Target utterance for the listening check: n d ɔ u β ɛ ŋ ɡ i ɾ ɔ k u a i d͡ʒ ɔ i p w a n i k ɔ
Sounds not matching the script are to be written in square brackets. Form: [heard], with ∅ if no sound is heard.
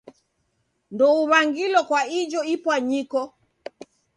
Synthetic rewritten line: n d ɔ u β [a] ŋ ɡ i [l] ɔ k [w] a i d͡ʒ ɔ i p w a [ɲ] i k ɔ